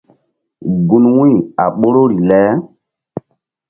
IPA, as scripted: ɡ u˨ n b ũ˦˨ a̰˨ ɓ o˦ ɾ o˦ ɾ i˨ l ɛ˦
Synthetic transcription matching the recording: ɡ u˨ n w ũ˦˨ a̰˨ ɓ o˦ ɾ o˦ ɾ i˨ l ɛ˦